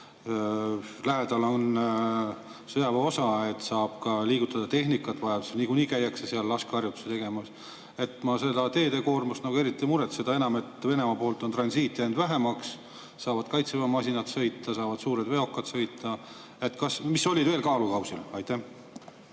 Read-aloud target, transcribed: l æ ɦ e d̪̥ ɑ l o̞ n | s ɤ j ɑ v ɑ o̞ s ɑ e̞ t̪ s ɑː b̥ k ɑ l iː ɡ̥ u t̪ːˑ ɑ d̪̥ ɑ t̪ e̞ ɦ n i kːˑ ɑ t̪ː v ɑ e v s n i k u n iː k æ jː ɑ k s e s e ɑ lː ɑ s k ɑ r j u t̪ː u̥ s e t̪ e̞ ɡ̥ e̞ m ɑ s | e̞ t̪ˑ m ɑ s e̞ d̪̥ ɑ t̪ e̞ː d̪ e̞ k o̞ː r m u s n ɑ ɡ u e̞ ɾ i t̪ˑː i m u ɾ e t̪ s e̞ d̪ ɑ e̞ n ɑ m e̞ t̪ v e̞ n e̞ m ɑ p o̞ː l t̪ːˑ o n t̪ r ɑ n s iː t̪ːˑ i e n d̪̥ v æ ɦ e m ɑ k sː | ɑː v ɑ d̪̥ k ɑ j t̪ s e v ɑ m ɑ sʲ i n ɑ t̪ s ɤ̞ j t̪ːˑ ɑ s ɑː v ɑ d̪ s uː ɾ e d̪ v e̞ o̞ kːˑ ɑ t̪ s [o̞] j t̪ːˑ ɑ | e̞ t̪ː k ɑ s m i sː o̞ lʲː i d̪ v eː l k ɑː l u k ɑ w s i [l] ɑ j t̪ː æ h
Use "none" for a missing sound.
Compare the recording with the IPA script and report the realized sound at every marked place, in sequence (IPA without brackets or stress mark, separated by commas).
ɤ̞, l